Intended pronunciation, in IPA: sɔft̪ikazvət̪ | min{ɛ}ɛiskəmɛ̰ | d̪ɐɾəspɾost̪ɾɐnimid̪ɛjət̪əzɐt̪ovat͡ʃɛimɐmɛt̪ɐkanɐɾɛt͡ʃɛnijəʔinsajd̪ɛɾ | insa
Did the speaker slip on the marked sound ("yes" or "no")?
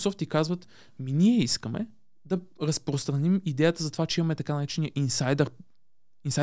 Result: yes